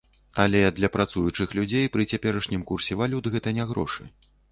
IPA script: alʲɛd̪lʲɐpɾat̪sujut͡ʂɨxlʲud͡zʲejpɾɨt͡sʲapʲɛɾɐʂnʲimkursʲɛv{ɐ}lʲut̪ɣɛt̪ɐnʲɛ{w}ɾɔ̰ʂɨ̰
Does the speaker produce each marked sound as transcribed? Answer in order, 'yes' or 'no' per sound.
no, no

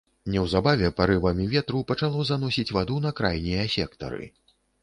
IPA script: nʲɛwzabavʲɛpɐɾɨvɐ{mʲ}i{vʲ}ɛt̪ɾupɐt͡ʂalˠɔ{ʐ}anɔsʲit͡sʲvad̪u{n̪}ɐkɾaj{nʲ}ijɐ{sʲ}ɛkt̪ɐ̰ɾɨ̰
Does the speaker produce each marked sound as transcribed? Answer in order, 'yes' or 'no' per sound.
yes, yes, no, yes, yes, yes

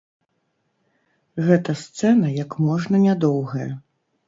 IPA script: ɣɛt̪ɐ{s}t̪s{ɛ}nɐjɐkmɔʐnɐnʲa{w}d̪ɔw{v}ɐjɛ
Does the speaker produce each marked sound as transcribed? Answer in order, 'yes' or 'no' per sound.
yes, yes, no, no

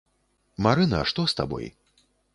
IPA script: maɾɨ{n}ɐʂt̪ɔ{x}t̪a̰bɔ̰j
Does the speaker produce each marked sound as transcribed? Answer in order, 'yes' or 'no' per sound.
yes, no

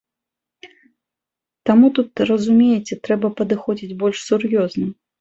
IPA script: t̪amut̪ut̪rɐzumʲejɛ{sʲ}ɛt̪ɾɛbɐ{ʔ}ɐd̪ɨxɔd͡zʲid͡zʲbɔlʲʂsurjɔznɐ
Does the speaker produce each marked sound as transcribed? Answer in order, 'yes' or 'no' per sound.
no, no

